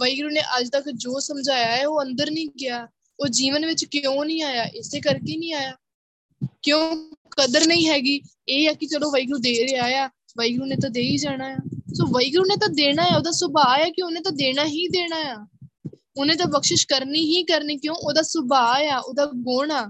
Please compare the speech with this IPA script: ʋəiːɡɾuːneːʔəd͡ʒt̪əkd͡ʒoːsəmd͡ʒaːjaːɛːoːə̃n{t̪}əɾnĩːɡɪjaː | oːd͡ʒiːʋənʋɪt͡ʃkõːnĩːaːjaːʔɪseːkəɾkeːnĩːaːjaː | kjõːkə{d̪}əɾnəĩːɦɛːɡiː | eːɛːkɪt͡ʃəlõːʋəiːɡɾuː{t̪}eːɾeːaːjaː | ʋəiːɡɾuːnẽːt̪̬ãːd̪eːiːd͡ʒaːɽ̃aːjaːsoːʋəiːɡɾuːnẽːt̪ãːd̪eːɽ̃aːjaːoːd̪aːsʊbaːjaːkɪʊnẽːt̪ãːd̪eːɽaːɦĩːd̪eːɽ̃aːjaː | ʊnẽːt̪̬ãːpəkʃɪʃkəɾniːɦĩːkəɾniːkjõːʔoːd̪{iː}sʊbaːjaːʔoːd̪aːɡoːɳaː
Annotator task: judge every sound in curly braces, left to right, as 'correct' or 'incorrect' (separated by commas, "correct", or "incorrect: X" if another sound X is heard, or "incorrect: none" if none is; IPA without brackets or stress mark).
incorrect: d̪, correct, incorrect: d̪, incorrect: aː